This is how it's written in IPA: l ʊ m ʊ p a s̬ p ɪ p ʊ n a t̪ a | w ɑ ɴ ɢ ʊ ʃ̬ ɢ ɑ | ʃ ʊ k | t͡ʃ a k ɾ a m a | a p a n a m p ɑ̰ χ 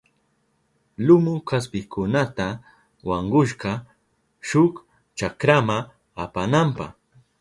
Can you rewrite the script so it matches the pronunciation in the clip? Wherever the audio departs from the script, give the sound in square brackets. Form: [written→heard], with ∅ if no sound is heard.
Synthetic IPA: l ʊ m ʊ [p→k] a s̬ p ɪ [p→k] ʊ n a t̪ a | w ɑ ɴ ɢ ʊ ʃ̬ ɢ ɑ | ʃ ʊ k | t͡ʃ a k ɾ a m a | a p a n a m p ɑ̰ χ